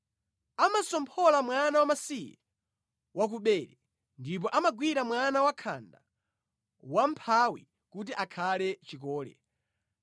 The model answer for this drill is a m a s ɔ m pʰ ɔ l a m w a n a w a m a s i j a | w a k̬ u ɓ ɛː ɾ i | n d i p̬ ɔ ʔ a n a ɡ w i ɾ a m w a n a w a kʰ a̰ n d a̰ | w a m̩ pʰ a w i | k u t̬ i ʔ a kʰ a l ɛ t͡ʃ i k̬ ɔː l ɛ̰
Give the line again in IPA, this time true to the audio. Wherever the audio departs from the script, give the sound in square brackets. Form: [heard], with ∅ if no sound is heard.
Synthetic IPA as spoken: a m a s ɔ m pʰ ɔ l a m w a n a w a m a s i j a | w a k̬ u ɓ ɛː ɾ [ɛ] | n d i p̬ ɔ ʔ a [m] a ɡ w i ɾ a m w a n a w a kʰ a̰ n d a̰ | w a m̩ pʰ a w i | k u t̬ i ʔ a kʰ a l ɛ t͡ʃ i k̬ ɔː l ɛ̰

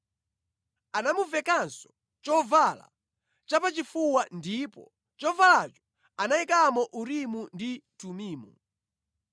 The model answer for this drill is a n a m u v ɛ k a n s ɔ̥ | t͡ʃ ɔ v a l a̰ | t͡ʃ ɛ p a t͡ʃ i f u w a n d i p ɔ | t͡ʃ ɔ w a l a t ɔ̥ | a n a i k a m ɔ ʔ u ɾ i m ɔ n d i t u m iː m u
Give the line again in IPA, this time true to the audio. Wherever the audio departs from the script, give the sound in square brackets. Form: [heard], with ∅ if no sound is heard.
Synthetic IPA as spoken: a n a m u v ɛ k a n s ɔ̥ | t͡ʃ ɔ v a l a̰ | t͡ʃ [a] p a t͡ʃ i f u w a n d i p ɔ | t͡ʃ ɔ [v] a l a [t͡ʃ] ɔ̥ | a n a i k a m ɔ ʔ u ɾ i m [u] n d i t u m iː m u

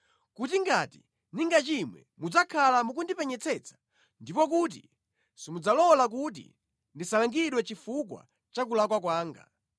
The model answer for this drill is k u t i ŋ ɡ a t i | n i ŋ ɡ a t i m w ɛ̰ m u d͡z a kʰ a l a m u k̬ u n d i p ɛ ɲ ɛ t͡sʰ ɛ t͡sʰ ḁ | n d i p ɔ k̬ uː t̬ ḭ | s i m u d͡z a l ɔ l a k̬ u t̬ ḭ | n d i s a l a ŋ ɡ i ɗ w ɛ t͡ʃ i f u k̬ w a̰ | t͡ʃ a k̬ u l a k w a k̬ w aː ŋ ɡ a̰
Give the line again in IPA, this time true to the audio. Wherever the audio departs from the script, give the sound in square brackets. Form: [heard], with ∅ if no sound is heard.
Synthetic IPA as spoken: k u t i ŋ ɡ a t i | n i ŋ ɡ a [t͡ʃ] i m w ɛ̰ m u d͡z a kʰ a l a m u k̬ u n d i p ɛ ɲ ɛ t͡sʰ ɛ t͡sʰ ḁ | n d i p ɔ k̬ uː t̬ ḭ | s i m u d͡z a l ɔ l a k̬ u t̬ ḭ | n d i s a l a ŋ ɡ i ɗ w ɛ t͡ʃ i f u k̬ w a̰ | t͡ʃ a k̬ u l a k w a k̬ w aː ŋ ɡ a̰

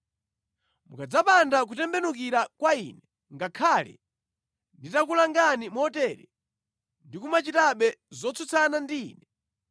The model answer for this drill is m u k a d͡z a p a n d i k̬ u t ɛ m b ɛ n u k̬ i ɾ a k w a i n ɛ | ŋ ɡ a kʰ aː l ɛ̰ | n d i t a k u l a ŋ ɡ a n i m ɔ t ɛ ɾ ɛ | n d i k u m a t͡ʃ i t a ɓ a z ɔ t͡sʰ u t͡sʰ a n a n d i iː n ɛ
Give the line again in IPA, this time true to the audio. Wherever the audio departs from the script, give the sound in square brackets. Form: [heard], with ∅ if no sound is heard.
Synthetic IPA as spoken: m u k a d͡z a p a n d [a] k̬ u t ɛ m b ɛ n u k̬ i ɾ a k w a i n ɛ | ŋ ɡ a kʰ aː l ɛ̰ | n d i t a k u l a ŋ ɡ a n i m ɔ t ɛ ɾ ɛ | n d i k u m a t͡ʃ i t a ɓ [ɛ] z ɔ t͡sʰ u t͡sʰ a n a n d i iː n ɛ

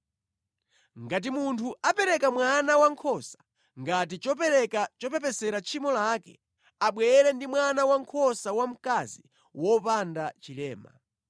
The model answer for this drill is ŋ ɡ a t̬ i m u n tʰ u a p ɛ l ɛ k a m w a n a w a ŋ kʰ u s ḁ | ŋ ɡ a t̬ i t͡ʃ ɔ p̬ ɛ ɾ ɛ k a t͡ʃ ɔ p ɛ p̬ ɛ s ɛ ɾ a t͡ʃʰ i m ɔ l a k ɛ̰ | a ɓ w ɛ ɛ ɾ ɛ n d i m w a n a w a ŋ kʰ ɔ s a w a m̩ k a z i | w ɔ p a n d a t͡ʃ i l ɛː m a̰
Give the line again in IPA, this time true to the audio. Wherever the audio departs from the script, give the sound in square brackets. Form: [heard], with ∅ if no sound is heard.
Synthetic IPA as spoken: ŋ ɡ a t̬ i m u n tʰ u a p ɛ [ɾ] ɛ k a m w a n a w a ŋ kʰ [ɔ] s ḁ | ŋ ɡ a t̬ i t͡ʃ ɔ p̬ ɛ ɾ ɛ k a t͡ʃ ɔ p ɛ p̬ ɛ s ɛ ɾ a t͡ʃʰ i m ɔ l a k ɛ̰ | a ɓ w ɛ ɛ ɾ ɛ n d i m w a n a w a ŋ kʰ ɔ s a w a m̩ k a z i | w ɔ p a n d a t͡ʃ i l ɛː m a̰

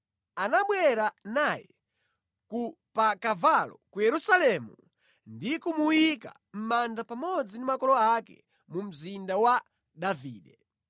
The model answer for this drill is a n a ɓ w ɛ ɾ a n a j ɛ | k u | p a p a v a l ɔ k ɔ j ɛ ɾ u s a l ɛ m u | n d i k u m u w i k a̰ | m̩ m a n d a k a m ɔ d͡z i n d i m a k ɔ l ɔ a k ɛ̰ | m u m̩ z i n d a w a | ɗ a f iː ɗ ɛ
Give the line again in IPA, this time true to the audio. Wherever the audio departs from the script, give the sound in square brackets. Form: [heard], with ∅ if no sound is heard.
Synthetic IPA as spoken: a n a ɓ w ɛ ɾ a n a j ɛ | k u | p a [k] a v a l ɔ k [u] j ɛ ɾ u s a l ɛ m u | n d i k u m u w i k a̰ | m̩ m a n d a [p] a m ɔ d͡z i n d i m a k ɔ l ɔ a k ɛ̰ | m u m̩ z i n d a w a | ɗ a [v] iː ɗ ɛ

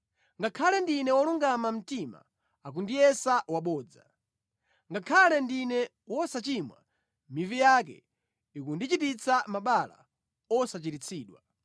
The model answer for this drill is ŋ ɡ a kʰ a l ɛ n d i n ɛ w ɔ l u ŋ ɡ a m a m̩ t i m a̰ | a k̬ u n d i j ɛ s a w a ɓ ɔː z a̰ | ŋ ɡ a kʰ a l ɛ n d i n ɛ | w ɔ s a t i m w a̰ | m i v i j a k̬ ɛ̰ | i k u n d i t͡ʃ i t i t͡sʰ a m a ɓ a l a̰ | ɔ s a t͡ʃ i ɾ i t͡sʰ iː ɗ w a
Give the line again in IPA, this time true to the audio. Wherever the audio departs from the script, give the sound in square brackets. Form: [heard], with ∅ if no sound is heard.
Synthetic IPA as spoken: ŋ ɡ a kʰ a l ɛ n d i n ɛ w ɔ l u ŋ ɡ a m a m̩ t i m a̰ | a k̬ u n d i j ɛ s a w a ɓ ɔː [d͡z] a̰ | ŋ ɡ a kʰ a l ɛ n d i n ɛ | w ɔ s a [t͡ʃ] i m w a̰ | m i v i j a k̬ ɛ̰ | i k u n d i t͡ʃ i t i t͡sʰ a m a ɓ a l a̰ | ɔ s a t͡ʃ i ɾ i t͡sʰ iː ɗ w a

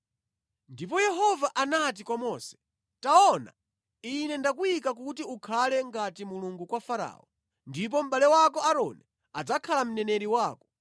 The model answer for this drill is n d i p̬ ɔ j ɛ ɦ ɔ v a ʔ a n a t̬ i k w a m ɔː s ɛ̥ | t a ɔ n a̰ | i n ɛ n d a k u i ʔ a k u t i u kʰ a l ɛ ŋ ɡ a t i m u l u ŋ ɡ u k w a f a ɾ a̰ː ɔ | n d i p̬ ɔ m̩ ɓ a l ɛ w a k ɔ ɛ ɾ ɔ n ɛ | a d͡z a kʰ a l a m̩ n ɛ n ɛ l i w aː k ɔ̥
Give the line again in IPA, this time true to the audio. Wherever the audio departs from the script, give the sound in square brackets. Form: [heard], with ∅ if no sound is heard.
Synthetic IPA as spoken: n d i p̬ ɔ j ɛ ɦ ɔ v a ʔ a n a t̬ i k w a m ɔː s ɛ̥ | t a ɔ n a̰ | i n ɛ n d a k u i [k] a k u t i u kʰ a l ɛ ŋ ɡ a t i m u l u ŋ ɡ u k w a f a ɾ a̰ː ɔ | n d i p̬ ɔ m̩ ɓ a l ɛ w a k ɔ [a] ɾ ɔ n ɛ | a d͡z a kʰ a l a m̩ n ɛ n ɛ [ɾ] i w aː k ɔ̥

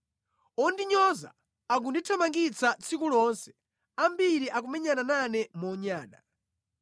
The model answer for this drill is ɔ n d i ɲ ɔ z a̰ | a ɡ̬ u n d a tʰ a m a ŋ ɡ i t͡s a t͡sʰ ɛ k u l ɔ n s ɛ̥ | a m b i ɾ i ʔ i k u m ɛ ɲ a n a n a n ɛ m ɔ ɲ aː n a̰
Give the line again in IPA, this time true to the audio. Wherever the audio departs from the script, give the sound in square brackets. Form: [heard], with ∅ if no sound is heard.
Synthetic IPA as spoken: ɔ n d i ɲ ɔ z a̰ | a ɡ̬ u n d [i] tʰ a m a ŋ ɡ i t͡s a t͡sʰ [i] k u l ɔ n s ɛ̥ | a m b i ɾ i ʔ [a] k u m ɛ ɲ a n a n a n ɛ m ɔ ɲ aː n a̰

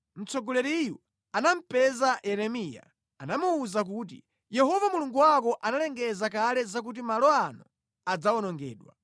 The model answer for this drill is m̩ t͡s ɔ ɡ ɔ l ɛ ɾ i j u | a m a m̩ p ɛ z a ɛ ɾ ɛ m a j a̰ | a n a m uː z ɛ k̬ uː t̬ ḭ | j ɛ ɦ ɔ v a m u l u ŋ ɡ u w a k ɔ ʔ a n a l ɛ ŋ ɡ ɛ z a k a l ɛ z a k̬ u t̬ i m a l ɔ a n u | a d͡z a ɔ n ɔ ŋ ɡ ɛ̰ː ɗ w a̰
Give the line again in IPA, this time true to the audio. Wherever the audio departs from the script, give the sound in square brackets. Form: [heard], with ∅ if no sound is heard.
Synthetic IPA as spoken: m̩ t͡s ɔ ɡ ɔ l ɛ ɾ i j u | a [n] a m̩ p ɛ z a ɛ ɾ ɛ m [i] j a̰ | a n a m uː z [a] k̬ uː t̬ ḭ | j ɛ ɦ ɔ v a m u l u ŋ ɡ u w a k ɔ ʔ a n a l ɛ ŋ ɡ ɛ z a k a l ɛ z a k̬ u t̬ i m a l ɔ a n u | a d͡z a ɔ n ɔ ŋ ɡ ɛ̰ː ɗ w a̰

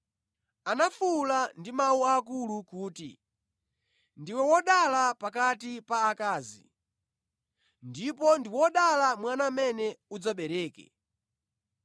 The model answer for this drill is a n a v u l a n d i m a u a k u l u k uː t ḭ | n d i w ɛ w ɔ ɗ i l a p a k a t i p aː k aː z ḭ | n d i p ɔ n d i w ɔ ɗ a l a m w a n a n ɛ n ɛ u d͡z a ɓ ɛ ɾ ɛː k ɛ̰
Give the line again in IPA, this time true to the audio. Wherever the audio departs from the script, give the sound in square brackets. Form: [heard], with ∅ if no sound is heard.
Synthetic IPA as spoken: a n a [f] u l a n d i m a u a k u l u k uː t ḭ | n d i w ɛ w ɔ ɗ [a] l a p a k a t i p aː k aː z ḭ | n d i p ɔ n d i w ɔ ɗ a l a m w a n a [m] ɛ n ɛ u d͡z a ɓ ɛ ɾ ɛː k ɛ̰

